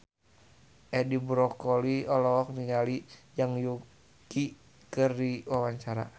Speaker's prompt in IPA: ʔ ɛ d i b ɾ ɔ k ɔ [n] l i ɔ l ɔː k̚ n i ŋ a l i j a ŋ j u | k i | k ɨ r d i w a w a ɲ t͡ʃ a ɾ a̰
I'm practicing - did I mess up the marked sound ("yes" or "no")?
yes